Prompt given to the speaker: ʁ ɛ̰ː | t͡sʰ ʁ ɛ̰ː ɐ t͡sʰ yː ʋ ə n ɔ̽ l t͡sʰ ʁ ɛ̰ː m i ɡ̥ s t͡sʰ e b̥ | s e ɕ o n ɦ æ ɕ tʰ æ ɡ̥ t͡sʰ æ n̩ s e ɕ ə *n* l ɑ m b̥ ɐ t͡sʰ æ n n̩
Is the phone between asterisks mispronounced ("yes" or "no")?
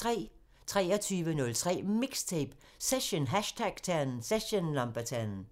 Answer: no